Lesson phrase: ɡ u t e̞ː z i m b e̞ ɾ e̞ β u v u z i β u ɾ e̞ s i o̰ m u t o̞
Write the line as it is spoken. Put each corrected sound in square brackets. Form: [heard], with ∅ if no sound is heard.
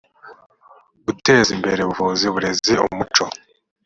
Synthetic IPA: ɡ u t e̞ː z i m b e̞ ɾ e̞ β u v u z i β u ɾ e̞ [z] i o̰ m u [t͡ʃ] o̞